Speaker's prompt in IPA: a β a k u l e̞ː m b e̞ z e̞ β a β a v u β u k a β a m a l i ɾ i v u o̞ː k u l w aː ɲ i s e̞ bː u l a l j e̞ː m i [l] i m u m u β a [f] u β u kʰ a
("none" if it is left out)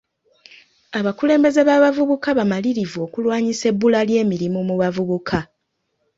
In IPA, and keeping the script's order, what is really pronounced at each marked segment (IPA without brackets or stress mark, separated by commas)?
ɾ, v